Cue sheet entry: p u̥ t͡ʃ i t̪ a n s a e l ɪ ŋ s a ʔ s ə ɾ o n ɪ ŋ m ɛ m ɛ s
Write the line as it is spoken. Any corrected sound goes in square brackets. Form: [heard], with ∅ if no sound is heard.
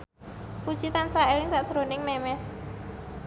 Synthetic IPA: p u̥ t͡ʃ i t̪ a n s a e l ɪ ŋ s a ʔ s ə ɾ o n ɪ ŋ m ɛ m ɛ s